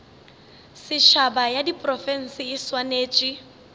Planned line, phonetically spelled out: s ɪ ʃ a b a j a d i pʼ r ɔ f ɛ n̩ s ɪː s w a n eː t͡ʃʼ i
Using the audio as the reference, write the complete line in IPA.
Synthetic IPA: s ɪ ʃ a b a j a d i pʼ r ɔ f ɛ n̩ s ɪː s w a n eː t͡ʃʼ i